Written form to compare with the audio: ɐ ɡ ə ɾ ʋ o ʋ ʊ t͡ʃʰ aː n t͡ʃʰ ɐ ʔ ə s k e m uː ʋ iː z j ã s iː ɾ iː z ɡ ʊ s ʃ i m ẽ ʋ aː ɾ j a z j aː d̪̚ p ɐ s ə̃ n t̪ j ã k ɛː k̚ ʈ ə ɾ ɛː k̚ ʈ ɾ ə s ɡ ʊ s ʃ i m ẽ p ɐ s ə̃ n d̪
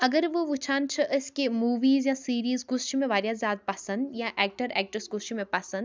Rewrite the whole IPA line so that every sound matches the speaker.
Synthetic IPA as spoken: ɐ ɡ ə ɾ ʋ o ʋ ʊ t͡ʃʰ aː n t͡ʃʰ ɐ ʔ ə s k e m uː ʋ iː z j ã s iː ɾ iː z ɡ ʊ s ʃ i m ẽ ʋ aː ɾ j a z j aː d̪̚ p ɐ s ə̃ n d̪ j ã ʔ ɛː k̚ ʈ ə ɾ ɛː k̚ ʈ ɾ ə s ɡ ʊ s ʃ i m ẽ p ɐ s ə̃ n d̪